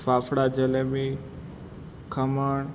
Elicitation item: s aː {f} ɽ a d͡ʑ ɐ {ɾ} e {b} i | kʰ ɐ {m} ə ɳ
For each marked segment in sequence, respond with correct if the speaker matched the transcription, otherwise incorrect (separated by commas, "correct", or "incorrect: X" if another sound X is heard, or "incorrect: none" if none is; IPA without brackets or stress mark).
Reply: correct, incorrect: l, incorrect: m, correct